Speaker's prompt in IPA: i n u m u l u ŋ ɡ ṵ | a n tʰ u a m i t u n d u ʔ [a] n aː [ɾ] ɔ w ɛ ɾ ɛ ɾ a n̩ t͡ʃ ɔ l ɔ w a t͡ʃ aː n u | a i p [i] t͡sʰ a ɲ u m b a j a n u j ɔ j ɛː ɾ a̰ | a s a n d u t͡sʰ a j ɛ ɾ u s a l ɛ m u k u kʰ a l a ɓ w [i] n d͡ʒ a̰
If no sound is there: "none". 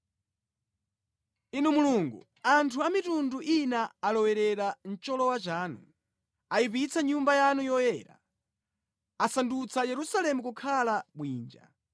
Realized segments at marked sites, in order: i, l, i, iː

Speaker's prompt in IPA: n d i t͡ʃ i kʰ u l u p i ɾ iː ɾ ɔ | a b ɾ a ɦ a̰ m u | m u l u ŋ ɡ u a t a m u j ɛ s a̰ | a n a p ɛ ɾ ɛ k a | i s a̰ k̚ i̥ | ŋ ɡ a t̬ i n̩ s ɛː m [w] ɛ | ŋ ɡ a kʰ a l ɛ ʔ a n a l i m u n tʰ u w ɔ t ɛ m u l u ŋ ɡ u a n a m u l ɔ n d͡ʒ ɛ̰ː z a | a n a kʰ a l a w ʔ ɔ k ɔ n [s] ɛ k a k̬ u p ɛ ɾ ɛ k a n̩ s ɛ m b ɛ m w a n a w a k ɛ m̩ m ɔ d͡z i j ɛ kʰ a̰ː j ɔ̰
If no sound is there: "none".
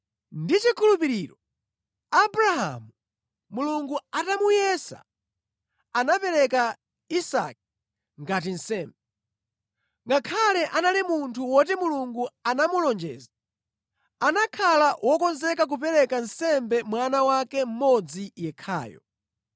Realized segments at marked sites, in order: b, z

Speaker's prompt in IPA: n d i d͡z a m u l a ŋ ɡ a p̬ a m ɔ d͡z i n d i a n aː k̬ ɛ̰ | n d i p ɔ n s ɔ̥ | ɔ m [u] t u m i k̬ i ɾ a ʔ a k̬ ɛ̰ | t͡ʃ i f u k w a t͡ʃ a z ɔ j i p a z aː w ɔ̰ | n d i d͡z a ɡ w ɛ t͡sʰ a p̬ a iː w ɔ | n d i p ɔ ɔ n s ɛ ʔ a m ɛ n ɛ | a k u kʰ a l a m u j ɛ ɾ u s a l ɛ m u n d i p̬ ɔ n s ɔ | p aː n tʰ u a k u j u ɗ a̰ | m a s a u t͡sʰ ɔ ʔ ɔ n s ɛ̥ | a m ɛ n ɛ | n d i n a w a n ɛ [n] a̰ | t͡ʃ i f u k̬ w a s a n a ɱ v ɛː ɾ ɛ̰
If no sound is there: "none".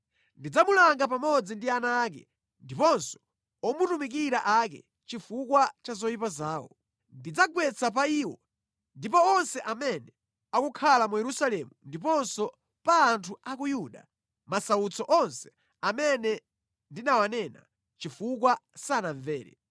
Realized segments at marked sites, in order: u, n

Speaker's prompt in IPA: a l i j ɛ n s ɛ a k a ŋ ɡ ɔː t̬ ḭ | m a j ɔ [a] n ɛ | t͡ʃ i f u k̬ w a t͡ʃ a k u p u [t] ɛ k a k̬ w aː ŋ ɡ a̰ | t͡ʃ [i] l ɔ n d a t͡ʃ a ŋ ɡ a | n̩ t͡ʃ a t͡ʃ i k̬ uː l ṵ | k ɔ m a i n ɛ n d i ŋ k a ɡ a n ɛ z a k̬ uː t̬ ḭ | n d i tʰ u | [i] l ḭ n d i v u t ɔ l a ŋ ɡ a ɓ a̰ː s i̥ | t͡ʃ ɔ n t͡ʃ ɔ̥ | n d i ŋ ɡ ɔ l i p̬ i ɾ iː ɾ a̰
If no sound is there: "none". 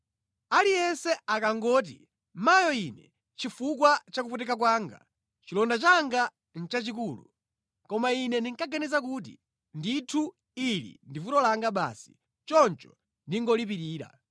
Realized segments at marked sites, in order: i, t, i, i

